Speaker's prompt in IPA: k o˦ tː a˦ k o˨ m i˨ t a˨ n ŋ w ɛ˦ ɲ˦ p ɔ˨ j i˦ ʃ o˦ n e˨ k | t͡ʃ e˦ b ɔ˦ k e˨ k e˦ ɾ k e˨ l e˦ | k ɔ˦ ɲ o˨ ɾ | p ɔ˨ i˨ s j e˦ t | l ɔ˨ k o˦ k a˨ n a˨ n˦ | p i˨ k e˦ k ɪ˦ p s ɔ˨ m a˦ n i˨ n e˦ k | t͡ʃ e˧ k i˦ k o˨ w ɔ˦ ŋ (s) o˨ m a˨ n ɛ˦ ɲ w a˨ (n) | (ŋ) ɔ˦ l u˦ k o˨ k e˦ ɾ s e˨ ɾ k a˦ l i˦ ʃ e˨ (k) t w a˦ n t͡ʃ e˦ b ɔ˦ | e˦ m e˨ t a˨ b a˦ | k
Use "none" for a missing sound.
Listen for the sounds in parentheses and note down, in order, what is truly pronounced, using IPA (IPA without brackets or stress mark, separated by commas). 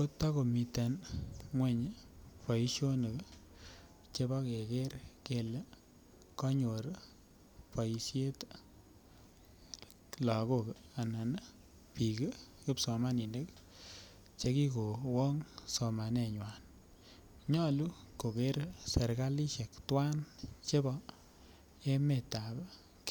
s, n, ɲ, k